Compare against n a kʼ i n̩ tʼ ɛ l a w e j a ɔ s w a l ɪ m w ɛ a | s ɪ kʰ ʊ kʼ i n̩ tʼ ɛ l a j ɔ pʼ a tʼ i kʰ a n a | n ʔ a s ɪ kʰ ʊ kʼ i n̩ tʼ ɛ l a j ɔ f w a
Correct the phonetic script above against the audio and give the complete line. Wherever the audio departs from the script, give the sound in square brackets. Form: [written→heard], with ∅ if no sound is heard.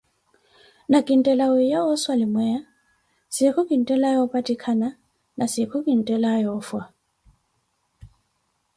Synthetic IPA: n a kʼ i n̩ tʼ ɛ l a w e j a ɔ s w a l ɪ m w ɛ a | s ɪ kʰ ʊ kʼ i n̩ tʼ ɛ l a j ɔ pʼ a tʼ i kʰ a n a | n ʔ a s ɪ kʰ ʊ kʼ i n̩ tʼ ɛ l a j ɔ f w a